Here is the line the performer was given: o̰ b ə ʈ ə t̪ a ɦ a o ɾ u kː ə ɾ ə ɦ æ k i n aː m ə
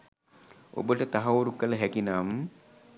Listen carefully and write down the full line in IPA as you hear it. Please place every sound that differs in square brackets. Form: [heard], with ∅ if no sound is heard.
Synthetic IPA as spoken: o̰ b ə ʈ ə t̪ a ɦ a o ɾ u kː ə [l] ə ɦ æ k i n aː m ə